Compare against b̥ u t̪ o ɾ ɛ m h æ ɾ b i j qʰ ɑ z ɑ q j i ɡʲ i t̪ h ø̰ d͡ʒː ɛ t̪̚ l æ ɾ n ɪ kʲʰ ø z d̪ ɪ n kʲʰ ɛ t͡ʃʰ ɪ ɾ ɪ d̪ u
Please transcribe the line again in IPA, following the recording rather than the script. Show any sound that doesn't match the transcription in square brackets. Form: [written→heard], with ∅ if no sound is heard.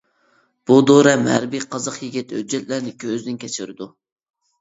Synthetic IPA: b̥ u [t̪→d̪] o ɾ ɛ m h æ ɾ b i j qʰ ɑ z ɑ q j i ɡʲ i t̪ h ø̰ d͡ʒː ɛ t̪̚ l æ ɾ n ɪ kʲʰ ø z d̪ ɪ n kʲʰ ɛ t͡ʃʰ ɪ ɾ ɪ d̪ u